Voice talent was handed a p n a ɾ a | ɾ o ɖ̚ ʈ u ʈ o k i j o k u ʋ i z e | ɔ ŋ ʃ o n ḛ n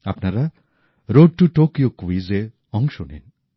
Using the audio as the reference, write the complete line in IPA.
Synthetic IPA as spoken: a p n a ɾ a | ɾ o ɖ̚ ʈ u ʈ o k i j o k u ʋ i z e | ɔ ŋ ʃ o n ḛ n